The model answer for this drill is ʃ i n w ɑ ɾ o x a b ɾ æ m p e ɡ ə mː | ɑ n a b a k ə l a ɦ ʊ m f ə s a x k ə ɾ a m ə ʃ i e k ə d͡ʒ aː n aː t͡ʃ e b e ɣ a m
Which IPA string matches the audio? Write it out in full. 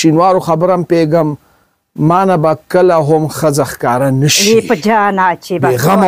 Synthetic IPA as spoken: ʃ i n w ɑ ɾ o x a b ɾ a m p e ɡ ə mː | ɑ n a b a k ə l a ɦ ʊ m x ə z a x k ɑ ɾ a n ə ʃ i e p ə d͡ʒ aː n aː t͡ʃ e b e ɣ a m